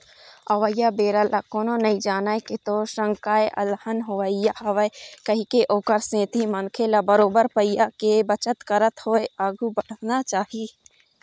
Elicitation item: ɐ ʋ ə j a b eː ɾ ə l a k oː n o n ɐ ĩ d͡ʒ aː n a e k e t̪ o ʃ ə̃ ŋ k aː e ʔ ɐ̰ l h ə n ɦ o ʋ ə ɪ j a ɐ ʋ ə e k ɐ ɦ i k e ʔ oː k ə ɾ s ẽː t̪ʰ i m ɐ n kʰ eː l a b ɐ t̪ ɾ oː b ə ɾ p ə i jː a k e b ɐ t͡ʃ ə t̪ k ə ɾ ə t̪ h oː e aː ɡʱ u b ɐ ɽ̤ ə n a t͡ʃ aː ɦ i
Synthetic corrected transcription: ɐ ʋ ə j a b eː ɾ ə l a k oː n o n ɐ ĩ d͡ʒ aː n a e k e t̪ o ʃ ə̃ ŋ k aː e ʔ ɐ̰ l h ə n ɦ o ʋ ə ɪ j a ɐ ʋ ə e k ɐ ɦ i k e ʔ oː k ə ɾ s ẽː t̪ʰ i m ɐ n kʰ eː l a b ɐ ɾ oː b ə ɾ p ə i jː a k e b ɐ t͡ʃ ə t̪ k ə ɾ ə t̪ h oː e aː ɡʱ u b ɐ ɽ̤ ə n a t͡ʃ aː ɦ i